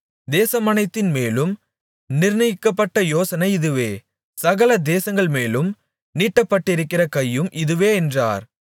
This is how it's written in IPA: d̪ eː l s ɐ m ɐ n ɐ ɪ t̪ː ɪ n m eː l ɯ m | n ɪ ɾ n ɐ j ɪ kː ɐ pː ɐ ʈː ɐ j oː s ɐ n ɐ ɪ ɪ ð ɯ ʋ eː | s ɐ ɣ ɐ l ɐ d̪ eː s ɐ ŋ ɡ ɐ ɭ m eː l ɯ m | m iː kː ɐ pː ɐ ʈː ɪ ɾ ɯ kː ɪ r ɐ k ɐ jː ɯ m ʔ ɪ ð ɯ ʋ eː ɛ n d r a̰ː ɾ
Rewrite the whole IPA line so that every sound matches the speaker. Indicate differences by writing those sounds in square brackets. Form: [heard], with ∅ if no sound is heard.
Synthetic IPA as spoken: d̪ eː [∅] s ɐ m ɐ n ɐ ɪ t̪ː ɪ n m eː l ɯ m | n ɪ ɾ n ɐ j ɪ kː ɐ pː ɐ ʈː ɐ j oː s ɐ n ɐ ɪ ɪ ð ɯ ʋ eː | s ɐ ɣ ɐ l ɐ d̪ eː s ɐ ŋ ɡ ɐ ɭ m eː l ɯ m | [n] iː [ʈː] ɐ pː ɐ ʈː ɪ ɾ ɯ kː ɪ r ɐ k ɐ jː ɯ m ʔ ɪ ð ɯ ʋ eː ɛ n d r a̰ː ɾ

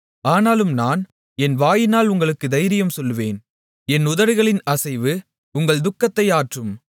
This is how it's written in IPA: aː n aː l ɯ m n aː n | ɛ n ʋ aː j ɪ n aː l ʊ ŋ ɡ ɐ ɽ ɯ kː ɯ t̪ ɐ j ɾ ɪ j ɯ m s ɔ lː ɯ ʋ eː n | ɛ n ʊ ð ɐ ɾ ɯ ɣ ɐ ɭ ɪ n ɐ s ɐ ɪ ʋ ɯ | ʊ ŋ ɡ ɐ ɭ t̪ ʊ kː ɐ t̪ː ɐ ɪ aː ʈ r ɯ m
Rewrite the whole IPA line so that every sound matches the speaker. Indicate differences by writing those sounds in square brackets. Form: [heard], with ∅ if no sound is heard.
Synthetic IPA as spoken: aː n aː l ɯ m n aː n | ɛ n ʋ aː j ɪ n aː l ʊ ŋ ɡ ɐ [ɭ] ɯ kː ɯ [d̪] ɐ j ɾ ɪ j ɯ m s ɔ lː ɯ ʋ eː n | ɛ n ʊ ð ɐ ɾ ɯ ɣ ɐ ɭ ɪ n ɐ s ɐ ɪ ʋ ɯ | ʊ ŋ ɡ ɐ ɭ [d̪] ʊ kː ɐ t̪ː ɐ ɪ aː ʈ r ɯ m

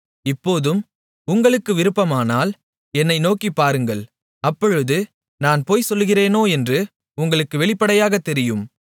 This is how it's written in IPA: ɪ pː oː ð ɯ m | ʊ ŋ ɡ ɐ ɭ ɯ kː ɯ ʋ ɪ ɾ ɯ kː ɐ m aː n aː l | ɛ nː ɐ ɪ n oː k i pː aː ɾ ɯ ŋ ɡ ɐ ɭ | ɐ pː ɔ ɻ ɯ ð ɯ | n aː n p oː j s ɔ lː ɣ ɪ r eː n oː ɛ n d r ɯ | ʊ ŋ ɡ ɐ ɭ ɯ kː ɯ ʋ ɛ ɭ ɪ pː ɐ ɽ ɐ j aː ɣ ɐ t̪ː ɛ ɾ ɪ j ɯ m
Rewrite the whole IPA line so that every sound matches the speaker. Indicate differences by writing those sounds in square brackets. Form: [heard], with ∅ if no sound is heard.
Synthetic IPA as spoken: ɪ pː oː ð ɯ m | ʊ ŋ ɡ ɐ ɭ ɯ kː ɯ ʋ ɪ ɾ ɯ [pː] ɐ m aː n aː l | ɛ nː ɐ ɪ n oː k i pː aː ɾ ɯ ŋ ɡ ɐ ɭ | ɐ pː ɔ ɻ ɯ ð ɯ | n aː n p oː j s ɔ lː ɣ ɪ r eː n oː ɛ n d r ɯ | ʊ ŋ ɡ ɐ ɭ ɯ kː ɯ ʋ ɛ ɭ ɪ pː ɐ ɽ ɐ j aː ɣ ɐ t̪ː ɛ ɾ ɪ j ɯ m

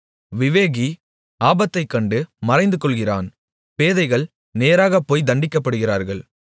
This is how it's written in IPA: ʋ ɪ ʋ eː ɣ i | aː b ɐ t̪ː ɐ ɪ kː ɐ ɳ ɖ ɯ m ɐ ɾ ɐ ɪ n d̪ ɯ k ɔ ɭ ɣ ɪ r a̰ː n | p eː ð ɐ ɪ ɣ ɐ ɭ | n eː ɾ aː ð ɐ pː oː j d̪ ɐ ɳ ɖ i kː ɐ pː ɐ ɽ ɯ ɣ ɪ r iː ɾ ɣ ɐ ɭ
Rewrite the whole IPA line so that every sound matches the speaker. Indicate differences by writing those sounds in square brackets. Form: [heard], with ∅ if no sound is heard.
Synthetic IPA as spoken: ʋ ɪ ʋ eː ɣ i | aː b ɐ t̪ː ɐ ɪ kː ɐ ɳ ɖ ɯ m ɐ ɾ ɐ ɪ n d̪ ɯ k ɔ ɭ ɣ ɪ r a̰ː n | p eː ð ɐ ɪ ɣ ɐ ɭ | n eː ɾ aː [ɣ] ɐ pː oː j d̪ ɐ ɳ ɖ [ɪ] kː ɐ pː ɐ ɽ ɯ ɣ ɪ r [aː] ɾ ɣ ɐ ɭ

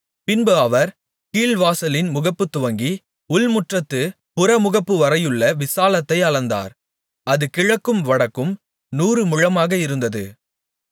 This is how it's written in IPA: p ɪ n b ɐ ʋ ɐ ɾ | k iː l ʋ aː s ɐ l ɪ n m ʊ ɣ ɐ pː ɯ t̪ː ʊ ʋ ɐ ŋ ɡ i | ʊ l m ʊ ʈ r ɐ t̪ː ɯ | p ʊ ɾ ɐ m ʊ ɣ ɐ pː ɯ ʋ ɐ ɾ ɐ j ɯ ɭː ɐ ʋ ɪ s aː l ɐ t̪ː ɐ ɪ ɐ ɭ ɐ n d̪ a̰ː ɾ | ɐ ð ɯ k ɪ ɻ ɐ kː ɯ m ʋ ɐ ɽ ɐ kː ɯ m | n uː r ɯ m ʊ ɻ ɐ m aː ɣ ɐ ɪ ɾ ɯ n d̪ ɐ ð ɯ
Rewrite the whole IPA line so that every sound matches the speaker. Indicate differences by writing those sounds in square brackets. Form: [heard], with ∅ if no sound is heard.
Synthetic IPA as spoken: p ɪ n b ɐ ʋ ɐ ɾ | k iː l ʋ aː s ɐ l ɪ n m ʊ ɣ ɐ pː ɯ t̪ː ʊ ʋ ɐ ŋ ɡ i | ʊ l m ʊ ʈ r ɐ t̪ː ɯ | p ʊ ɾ ɐ m ʊ ɣ ɐ pː ɯ ʋ ɐ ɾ ɐ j ɯ ɭː ɐ ʋ ɪ s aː l ɐ t̪ː ɐ ɪ ɐ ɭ ɐ n d̪ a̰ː ɾ | ɐ ð ɯ k ɪ ɻ ɐ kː ɯ m ʋ ɐ ɽ ɐ kː ɯ m | n uː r ɯ m ʊ ɻ ɐ m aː ɣ ɐ ɪ ɾ ɯ n d̪ ɐ ð ɯ

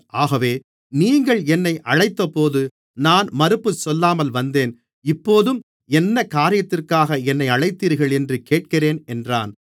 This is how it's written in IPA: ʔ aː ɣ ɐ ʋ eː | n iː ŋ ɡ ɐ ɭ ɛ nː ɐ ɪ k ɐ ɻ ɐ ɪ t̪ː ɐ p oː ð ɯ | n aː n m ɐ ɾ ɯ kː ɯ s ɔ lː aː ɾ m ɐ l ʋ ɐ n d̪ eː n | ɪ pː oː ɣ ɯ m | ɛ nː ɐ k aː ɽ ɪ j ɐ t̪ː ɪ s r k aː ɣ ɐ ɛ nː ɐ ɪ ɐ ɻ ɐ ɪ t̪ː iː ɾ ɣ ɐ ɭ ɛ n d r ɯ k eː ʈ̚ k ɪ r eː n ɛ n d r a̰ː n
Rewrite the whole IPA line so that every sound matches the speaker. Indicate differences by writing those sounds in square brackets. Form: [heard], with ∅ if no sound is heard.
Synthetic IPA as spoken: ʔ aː ɣ ɐ ʋ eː | n iː ŋ ɡ ɐ ɭ ɛ nː ɐ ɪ [ʔ] ɐ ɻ ɐ ɪ t̪ː ɐ p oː ð ɯ | n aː n m ɐ ɾ ɯ [pː] ɯ s ɔ lː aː [∅] m ɐ l ʋ ɐ n d̪ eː n | ɪ pː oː [ð] ɯ m | ɛ nː ɐ k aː [ɾ] ɪ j ɐ t̪ː ɪ [∅] r k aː ɣ ɐ ɛ nː ɐ ɪ ɐ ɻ ɐ ɪ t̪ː iː ɾ ɣ ɐ ɭ ɛ n d r ɯ k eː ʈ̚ k ɪ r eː n ɛ n d r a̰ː n

